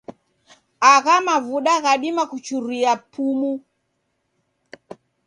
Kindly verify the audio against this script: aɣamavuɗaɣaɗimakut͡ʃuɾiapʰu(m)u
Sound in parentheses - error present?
no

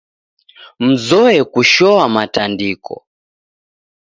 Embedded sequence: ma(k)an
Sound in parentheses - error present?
yes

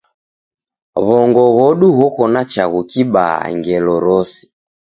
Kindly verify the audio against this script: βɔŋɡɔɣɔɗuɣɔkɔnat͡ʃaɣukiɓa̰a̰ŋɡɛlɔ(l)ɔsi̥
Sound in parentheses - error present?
yes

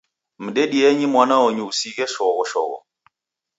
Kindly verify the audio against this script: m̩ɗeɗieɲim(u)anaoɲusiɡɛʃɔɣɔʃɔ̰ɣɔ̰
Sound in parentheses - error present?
yes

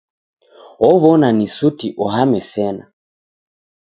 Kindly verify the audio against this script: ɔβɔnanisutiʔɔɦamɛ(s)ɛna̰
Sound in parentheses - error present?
no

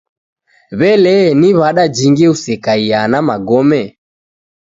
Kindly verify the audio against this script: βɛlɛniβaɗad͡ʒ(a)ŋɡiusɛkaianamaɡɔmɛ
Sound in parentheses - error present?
yes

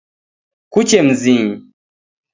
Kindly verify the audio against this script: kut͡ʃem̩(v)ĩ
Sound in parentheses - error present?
yes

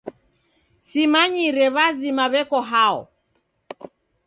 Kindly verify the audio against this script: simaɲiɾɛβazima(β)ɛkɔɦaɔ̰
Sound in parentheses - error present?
no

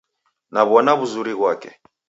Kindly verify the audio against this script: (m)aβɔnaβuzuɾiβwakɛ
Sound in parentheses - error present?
yes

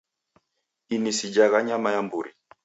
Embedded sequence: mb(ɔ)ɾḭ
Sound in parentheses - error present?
yes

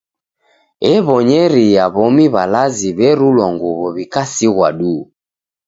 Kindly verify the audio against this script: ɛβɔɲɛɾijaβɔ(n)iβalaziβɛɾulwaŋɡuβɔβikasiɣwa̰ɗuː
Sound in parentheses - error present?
yes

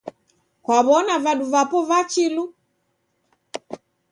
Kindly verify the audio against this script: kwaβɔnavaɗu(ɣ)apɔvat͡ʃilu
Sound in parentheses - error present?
yes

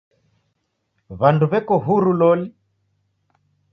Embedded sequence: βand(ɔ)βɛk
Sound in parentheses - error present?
yes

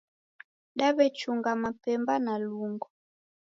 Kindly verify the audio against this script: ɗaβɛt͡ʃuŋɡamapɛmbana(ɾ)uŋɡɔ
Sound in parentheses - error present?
yes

